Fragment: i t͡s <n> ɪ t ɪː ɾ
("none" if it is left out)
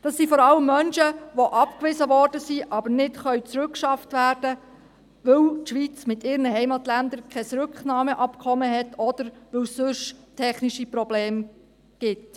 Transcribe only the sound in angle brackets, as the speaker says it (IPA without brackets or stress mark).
m